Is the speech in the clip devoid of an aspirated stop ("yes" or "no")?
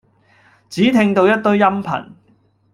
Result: no